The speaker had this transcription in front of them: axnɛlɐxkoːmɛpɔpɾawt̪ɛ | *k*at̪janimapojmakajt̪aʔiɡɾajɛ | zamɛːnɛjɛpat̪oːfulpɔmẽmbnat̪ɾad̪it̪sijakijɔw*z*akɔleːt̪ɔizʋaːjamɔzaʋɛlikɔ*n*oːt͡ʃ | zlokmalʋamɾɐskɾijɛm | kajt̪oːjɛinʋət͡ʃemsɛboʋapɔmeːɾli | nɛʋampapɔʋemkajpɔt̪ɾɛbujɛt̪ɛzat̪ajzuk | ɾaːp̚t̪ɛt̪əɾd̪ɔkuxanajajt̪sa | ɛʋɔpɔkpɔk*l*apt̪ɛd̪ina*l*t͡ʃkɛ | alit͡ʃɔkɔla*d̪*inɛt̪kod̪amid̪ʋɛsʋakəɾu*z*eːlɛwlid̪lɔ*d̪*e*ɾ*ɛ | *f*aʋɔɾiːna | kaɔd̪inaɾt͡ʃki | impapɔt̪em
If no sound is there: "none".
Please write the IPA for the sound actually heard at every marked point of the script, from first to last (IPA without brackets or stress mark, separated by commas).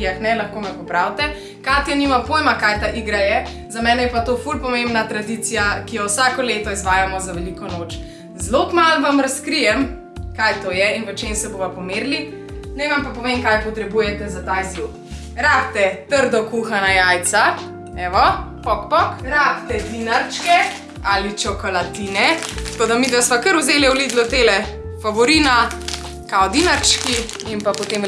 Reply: k, s, n, ɾ, ɾ, t̪, z, t̪, l, f